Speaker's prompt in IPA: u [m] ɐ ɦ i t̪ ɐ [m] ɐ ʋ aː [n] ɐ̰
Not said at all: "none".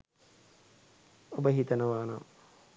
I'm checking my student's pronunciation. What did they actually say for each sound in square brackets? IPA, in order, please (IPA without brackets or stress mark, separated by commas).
b, n, n